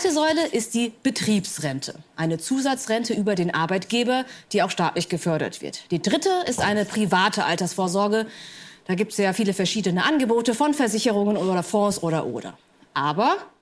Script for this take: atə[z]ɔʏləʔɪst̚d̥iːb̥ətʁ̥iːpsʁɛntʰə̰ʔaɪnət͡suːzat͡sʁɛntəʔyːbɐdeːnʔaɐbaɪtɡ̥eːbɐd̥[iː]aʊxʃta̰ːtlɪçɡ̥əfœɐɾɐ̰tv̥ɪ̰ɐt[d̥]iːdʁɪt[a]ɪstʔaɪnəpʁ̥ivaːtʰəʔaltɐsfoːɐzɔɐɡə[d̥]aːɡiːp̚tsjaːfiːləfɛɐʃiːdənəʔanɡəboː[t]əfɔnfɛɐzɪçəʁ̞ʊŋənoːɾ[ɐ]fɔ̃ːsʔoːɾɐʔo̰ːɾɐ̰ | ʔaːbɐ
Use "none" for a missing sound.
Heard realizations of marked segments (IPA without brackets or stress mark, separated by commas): z, iː, d̥, ə, d̥, t, ɐ